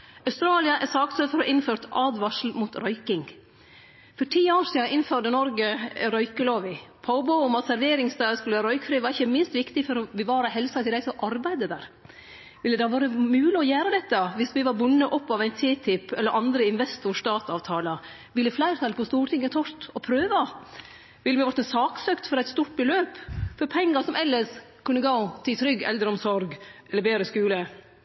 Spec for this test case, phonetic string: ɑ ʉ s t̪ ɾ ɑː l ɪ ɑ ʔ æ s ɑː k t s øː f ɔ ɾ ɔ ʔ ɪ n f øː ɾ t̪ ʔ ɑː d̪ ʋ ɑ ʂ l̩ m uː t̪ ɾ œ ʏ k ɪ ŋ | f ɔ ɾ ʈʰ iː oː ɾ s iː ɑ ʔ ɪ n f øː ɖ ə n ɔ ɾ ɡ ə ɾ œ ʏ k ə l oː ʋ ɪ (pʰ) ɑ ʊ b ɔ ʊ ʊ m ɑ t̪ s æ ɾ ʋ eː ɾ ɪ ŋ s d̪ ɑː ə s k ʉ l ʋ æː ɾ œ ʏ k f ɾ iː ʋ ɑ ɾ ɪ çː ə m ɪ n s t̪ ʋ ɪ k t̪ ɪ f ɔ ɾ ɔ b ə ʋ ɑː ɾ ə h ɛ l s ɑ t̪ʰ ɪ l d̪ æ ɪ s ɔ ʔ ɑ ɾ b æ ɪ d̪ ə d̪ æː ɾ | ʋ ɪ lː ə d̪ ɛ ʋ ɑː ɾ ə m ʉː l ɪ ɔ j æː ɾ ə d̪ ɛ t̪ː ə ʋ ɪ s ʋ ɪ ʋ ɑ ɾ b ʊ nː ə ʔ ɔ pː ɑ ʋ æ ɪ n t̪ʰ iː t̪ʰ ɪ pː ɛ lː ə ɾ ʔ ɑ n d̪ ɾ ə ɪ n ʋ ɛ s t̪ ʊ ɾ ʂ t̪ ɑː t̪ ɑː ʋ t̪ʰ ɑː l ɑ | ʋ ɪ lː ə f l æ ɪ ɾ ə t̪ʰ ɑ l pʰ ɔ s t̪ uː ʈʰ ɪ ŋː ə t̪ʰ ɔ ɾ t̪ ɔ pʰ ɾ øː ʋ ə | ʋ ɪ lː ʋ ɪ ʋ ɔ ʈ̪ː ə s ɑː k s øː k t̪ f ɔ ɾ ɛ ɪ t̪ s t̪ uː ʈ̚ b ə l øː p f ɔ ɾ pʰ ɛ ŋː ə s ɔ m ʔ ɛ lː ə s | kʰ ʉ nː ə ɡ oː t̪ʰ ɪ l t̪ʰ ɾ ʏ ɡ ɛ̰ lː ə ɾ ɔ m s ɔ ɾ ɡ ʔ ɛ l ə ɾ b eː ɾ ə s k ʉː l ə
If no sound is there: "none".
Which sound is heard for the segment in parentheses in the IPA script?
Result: pʰ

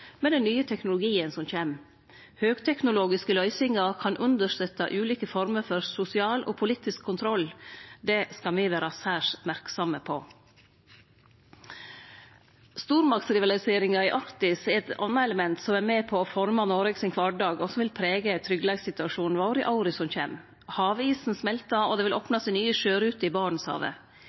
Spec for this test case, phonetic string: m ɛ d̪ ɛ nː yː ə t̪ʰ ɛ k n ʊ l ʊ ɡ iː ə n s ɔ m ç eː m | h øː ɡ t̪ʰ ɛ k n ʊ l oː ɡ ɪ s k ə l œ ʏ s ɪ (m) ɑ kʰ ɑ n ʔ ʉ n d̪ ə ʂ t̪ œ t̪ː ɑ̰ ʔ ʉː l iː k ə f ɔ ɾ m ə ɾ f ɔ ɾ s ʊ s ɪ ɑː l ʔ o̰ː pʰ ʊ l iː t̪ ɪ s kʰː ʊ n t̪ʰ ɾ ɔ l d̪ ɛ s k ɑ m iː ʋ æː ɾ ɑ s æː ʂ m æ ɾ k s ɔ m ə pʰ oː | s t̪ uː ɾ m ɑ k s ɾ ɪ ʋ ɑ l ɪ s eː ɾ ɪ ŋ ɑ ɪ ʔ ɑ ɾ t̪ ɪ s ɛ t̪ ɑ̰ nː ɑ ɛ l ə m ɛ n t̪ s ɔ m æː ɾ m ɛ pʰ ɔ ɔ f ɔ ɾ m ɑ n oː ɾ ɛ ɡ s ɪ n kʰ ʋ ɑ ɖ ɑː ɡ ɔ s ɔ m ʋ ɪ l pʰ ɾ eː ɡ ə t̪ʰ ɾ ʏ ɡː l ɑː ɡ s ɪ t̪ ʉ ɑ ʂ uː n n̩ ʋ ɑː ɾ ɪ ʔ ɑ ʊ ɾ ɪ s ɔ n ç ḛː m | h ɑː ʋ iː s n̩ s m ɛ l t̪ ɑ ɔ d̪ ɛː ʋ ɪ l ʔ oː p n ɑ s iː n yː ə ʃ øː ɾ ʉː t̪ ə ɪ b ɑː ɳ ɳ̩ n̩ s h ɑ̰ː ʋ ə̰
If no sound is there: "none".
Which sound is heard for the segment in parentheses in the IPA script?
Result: ŋ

